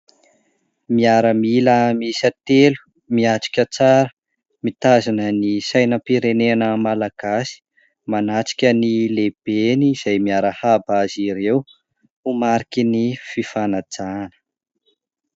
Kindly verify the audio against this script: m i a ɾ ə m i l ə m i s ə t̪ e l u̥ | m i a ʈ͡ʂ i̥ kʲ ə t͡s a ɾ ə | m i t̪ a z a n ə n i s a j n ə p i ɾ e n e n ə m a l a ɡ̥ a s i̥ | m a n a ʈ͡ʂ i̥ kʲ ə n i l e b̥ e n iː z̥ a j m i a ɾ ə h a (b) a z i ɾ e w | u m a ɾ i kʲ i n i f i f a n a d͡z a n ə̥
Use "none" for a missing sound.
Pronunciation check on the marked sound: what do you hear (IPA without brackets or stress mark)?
b